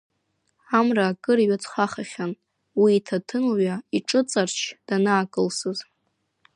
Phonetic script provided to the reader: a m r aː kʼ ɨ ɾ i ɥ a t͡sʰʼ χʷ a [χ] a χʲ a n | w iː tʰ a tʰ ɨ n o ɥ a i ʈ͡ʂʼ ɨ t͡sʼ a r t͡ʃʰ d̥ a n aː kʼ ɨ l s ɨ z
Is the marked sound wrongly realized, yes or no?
no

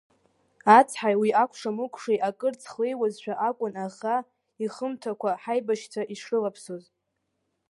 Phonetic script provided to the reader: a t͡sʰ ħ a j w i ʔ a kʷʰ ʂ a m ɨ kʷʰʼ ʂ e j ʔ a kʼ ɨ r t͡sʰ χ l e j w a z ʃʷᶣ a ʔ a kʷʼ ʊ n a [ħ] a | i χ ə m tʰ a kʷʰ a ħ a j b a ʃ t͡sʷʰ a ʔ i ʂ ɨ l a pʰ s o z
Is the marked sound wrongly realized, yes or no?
yes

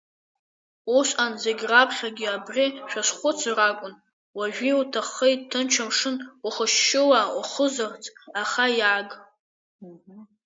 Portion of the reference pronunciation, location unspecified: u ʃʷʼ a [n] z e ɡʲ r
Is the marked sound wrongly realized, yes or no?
no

